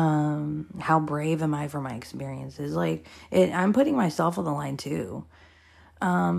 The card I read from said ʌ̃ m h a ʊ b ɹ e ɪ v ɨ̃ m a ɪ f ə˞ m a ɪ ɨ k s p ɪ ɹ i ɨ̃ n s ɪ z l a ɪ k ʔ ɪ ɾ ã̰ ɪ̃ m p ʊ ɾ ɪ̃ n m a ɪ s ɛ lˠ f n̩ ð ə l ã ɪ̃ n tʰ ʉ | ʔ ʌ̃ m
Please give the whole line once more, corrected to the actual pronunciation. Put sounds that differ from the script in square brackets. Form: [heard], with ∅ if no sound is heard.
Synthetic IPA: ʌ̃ m h a ʊ b ɹ e ɪ v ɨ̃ m a ɪ f ə˞ m a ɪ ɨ k s p ɪ ɹ i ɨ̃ n s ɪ z l a ɪ k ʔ ɪ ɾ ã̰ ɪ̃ m p ʊ ɾ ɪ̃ [ŋ] m a ɪ s ɛ lˠ f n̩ ð ə l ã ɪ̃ n tʰ ʉ | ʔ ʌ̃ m